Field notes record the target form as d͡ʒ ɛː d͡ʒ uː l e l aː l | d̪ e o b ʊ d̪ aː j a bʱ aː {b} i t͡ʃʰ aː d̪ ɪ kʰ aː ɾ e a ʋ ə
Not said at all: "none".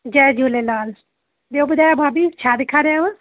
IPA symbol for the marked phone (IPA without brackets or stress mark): b